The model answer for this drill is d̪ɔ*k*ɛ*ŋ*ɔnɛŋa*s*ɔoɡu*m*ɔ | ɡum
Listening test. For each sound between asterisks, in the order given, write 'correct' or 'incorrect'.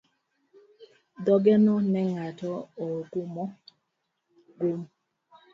incorrect: ɡ, incorrect: n, incorrect: t, correct

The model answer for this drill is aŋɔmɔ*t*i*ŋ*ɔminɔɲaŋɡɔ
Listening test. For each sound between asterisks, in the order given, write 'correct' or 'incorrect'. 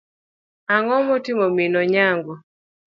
correct, incorrect: m

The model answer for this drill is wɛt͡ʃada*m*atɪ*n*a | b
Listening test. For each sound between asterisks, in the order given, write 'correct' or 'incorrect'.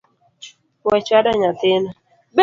incorrect: ɲ, correct

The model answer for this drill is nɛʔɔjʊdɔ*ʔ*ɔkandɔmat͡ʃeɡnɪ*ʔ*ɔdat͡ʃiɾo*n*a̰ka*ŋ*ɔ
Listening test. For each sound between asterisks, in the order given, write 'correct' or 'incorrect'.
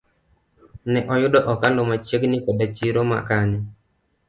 correct, incorrect: k, incorrect: m, incorrect: ɲ

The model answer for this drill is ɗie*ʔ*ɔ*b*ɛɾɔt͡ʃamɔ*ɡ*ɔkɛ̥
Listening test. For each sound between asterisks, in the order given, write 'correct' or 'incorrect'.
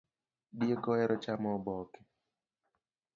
incorrect: k, incorrect: none, incorrect: b

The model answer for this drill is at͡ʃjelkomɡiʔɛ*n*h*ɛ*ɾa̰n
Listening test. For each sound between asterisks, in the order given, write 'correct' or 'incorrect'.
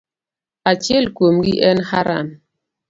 correct, incorrect: a

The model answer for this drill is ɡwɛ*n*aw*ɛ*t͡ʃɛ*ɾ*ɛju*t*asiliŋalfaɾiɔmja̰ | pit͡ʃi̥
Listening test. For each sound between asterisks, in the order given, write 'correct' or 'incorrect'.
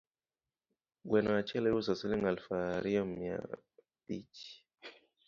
correct, incorrect: a, incorrect: l, incorrect: s

